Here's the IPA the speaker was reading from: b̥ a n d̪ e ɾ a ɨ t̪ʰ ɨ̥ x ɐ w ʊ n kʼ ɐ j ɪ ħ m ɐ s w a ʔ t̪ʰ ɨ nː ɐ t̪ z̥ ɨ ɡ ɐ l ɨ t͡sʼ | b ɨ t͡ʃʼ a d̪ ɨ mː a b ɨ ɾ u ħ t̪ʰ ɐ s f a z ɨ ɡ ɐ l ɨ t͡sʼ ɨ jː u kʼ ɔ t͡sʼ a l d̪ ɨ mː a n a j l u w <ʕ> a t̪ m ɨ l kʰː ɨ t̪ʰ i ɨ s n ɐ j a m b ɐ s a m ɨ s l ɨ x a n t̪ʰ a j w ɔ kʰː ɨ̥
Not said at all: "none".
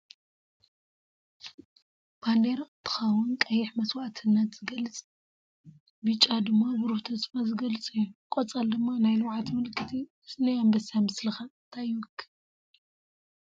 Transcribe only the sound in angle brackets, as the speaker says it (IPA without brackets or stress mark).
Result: ʕ